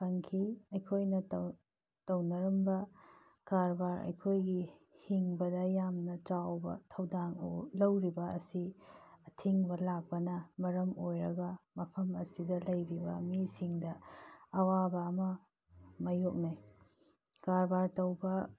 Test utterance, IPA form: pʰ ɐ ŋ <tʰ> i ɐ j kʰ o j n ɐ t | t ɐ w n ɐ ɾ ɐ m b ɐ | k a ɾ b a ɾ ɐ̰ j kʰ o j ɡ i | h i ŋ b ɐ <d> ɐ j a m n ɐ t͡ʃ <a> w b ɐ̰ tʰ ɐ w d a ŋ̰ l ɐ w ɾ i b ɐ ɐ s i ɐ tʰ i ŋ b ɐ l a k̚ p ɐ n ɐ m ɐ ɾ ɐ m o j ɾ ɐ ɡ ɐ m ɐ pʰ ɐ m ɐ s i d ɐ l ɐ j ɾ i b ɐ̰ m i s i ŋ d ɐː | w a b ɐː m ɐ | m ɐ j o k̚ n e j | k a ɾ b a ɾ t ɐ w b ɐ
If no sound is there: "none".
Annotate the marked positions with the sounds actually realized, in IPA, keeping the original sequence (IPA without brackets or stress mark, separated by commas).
kʰ, d, a